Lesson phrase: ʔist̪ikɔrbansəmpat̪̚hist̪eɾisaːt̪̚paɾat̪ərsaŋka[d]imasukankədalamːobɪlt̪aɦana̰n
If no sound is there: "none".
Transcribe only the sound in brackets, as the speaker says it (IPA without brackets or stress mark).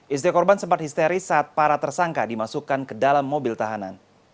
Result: d